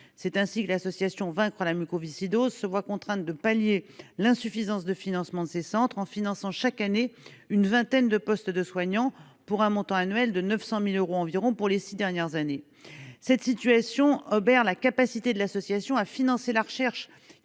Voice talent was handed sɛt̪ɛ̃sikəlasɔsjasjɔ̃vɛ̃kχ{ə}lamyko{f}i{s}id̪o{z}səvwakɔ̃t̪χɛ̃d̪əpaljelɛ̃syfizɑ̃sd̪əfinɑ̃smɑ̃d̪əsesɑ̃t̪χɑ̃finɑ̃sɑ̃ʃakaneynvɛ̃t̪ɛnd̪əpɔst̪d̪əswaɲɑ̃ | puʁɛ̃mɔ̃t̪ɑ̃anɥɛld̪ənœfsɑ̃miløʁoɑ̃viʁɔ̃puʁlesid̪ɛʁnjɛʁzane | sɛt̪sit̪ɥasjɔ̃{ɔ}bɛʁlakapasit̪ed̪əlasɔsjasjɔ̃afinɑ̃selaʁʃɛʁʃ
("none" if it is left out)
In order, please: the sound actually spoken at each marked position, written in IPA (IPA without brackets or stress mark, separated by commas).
ə, v, s, z, ɔ